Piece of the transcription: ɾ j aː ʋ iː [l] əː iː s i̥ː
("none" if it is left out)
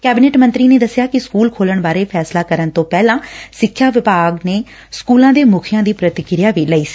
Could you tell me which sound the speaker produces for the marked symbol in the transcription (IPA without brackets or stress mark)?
l